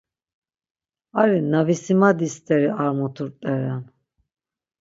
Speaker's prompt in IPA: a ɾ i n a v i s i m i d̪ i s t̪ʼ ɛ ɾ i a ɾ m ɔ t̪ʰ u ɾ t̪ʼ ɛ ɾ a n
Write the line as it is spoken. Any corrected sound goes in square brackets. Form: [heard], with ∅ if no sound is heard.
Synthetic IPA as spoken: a ɾ i n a v i s i m [a] d̪ i s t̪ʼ ɛ ɾ i a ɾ m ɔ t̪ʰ u ɾ t̪ʼ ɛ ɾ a n